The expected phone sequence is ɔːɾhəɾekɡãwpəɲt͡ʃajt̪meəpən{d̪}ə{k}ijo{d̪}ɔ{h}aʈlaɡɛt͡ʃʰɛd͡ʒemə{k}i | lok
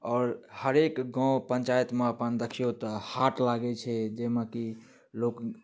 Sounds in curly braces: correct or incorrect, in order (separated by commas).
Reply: correct, incorrect, incorrect, correct, correct